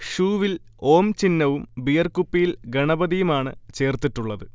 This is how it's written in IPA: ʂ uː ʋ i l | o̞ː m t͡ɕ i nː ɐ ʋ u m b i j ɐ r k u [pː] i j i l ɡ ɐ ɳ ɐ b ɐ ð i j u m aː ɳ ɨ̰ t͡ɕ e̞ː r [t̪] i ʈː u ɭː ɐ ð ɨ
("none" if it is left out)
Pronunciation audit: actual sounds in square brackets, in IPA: pː, t̪

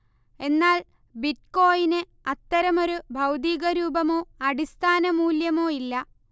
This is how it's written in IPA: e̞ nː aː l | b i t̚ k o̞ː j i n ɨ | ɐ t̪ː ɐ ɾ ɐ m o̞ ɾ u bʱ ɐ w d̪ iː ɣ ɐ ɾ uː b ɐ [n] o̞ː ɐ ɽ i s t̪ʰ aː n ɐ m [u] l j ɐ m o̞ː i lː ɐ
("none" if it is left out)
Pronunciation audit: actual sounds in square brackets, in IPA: m, uː

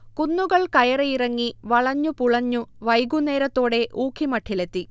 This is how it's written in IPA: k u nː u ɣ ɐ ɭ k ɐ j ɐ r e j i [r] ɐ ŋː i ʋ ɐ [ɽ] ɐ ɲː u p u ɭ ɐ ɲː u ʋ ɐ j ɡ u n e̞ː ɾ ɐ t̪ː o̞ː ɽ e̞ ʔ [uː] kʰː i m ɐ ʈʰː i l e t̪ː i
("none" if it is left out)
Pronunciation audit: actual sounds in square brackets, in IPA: r, ɭ, uː

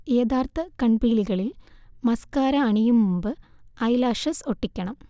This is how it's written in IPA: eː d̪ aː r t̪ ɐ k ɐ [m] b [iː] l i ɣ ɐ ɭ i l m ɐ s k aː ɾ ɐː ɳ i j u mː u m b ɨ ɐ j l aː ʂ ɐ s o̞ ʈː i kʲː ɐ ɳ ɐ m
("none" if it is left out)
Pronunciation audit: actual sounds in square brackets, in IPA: ɳ, iː

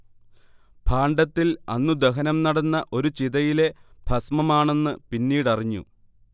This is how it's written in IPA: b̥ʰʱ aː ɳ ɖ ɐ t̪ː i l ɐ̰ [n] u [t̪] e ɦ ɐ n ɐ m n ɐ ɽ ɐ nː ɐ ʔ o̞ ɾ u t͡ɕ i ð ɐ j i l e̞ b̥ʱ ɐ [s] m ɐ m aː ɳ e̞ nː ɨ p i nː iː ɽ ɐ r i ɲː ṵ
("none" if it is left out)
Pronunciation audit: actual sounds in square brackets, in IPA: nː, d̪, s

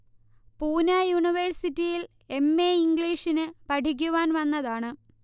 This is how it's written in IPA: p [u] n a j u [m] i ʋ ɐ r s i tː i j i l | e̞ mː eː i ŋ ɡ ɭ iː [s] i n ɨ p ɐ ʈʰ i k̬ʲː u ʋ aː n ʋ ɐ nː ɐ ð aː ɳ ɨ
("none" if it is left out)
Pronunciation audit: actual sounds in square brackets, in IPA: uː, ɳ, ʂ

